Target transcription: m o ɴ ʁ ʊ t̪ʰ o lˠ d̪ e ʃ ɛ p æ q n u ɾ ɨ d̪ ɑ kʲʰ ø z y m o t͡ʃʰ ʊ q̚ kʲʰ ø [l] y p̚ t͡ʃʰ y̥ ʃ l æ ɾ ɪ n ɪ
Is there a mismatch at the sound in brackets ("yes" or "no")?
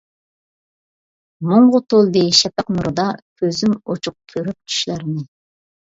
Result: yes